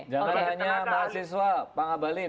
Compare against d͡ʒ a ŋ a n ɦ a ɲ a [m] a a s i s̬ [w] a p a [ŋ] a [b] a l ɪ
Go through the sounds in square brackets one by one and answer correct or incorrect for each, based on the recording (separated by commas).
correct, correct, correct, correct